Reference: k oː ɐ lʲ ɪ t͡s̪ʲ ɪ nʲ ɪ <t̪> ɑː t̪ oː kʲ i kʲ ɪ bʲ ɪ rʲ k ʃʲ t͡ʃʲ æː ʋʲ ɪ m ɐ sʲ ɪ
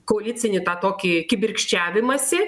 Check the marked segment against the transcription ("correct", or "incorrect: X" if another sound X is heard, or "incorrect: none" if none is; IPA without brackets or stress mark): correct